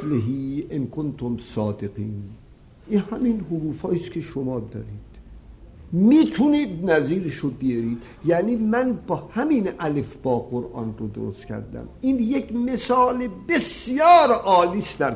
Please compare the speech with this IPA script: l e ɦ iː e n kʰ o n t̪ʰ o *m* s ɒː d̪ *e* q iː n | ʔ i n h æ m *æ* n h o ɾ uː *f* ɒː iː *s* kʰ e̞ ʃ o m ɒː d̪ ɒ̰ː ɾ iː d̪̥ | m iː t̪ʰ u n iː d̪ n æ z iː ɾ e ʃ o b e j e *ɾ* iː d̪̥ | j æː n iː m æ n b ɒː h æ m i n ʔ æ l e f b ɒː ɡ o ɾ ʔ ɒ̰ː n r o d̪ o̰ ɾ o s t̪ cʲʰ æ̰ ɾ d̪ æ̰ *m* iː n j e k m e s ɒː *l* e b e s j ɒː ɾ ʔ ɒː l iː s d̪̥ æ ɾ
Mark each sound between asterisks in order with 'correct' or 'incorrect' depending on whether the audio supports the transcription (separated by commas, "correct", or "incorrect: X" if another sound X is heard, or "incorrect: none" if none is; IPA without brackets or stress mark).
correct, correct, incorrect: i, correct, correct, correct, correct, correct